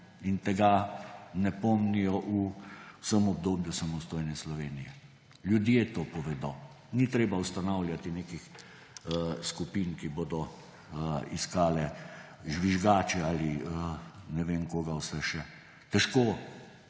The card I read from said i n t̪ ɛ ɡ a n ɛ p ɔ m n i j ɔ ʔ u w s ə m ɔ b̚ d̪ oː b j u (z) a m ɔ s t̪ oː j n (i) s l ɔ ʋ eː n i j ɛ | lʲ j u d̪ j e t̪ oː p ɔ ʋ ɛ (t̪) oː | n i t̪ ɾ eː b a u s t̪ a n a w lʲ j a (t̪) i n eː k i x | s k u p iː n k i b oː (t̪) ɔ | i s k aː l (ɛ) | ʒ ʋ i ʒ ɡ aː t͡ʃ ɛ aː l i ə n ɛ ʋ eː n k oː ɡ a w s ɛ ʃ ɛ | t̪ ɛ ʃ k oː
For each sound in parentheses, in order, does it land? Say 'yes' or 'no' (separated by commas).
no, no, no, yes, no, yes